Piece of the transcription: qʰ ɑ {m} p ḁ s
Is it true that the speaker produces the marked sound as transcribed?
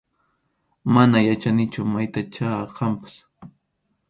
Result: yes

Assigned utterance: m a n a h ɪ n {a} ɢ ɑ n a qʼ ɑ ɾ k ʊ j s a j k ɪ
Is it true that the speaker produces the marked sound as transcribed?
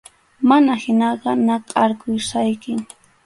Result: no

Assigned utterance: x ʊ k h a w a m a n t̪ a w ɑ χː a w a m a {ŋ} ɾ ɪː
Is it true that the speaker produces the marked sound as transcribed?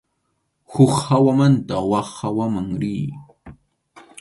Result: yes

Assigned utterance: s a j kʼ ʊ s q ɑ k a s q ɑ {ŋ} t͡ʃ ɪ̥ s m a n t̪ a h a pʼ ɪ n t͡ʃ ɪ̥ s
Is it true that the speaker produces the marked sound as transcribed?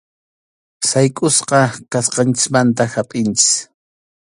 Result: no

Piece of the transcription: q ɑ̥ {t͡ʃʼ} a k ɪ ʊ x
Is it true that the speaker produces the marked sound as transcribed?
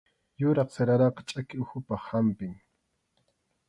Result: yes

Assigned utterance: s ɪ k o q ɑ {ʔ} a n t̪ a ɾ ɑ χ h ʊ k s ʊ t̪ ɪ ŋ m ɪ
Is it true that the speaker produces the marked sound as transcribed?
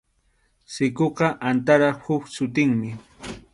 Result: yes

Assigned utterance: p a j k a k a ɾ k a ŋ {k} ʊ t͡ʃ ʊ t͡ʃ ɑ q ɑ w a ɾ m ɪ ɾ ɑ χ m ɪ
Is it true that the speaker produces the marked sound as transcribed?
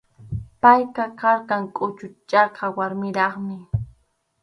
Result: no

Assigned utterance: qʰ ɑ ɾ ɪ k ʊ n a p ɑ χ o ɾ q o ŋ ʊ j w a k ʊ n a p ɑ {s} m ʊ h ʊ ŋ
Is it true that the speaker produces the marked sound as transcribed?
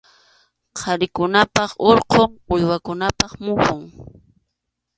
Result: no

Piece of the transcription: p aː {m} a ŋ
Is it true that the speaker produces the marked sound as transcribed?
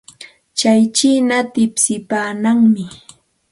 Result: no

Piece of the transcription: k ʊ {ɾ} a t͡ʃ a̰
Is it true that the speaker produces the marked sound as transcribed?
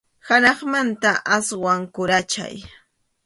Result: yes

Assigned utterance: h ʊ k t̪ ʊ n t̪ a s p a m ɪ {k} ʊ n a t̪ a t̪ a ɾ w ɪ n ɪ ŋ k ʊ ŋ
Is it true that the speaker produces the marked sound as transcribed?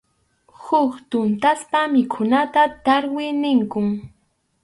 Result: no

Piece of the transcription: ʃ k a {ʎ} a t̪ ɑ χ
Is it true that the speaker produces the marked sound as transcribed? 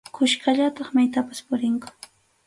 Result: yes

